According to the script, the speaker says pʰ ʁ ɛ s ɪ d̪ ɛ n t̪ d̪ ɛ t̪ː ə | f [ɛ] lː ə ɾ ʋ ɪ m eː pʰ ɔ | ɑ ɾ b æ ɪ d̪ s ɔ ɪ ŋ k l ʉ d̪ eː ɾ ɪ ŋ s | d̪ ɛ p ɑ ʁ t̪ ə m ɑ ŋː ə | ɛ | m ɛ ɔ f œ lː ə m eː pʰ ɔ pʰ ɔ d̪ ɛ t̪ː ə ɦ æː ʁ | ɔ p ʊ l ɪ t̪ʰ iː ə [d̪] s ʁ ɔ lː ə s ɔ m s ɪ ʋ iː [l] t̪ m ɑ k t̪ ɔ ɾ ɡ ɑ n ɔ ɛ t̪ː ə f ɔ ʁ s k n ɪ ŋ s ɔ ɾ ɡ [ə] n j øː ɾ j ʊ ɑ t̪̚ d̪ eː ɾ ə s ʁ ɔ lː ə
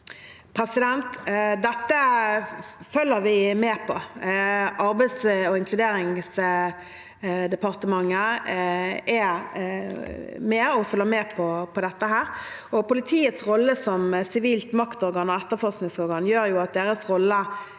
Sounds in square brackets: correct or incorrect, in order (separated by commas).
incorrect, incorrect, correct, incorrect